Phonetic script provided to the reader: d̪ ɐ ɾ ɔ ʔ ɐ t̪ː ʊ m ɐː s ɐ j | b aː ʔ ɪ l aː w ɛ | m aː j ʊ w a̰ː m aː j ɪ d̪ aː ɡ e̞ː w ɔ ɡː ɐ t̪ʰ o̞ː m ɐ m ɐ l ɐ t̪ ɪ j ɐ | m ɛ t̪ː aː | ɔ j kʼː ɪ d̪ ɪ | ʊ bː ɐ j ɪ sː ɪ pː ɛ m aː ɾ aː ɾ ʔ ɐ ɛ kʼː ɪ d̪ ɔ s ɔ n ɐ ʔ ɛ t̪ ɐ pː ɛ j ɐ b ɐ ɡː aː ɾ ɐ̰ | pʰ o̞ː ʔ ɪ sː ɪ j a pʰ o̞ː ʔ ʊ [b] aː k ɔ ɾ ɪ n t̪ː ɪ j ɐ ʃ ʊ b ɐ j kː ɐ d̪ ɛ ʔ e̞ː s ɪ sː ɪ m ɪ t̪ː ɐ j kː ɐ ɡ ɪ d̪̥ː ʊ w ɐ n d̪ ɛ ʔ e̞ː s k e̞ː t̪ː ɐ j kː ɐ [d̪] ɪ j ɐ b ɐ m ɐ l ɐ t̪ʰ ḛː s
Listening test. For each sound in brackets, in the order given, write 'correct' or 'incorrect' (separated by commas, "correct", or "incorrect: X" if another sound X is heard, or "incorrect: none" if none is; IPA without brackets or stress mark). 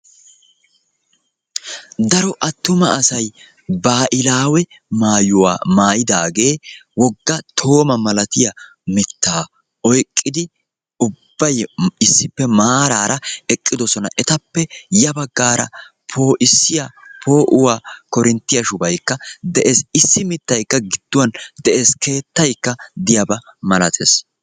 incorrect: w, correct